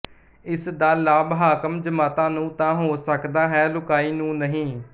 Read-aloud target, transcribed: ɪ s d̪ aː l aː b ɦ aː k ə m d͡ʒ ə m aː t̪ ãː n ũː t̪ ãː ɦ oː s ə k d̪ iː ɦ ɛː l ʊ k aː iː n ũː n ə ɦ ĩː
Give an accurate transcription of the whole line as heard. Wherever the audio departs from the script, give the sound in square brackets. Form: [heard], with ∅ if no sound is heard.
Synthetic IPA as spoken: ɪ s d̪ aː l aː b ɦ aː k ə m d͡ʒ ə m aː t̪ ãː n ũː t̪ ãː ɦ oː s ə k d̪ [aː] ɦ ɛː l ʊ k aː iː n ũː n ə ɦ ĩː

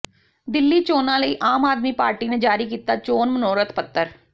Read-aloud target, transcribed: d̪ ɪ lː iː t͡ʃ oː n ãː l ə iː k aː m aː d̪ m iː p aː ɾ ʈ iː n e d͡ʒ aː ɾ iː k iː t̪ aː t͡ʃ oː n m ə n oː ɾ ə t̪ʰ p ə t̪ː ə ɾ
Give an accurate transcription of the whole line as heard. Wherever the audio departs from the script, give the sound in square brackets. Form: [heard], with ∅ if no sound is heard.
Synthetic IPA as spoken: d̪ ɪ lː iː t͡ʃ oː n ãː l ə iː [ʔ] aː m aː d̪ m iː p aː ɾ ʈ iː n e d͡ʒ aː ɾ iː k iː t̪ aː t͡ʃ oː n m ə n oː ɾ ə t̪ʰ p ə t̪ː ə ɾ

